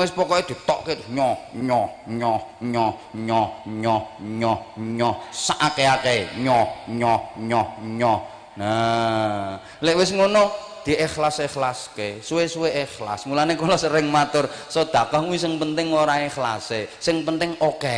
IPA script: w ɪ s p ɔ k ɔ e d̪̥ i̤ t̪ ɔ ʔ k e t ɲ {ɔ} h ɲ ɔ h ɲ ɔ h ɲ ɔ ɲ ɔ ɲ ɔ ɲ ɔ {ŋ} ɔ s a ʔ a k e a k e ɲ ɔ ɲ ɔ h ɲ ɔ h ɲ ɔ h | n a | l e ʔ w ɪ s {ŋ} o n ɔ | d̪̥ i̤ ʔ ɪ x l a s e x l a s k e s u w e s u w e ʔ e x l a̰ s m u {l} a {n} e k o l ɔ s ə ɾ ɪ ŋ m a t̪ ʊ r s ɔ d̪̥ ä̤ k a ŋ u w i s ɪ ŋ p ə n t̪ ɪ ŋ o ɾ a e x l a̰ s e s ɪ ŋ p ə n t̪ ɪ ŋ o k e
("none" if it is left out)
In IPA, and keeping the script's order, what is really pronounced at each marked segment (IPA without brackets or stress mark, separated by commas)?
ɔ, ɲ, ŋ, l, n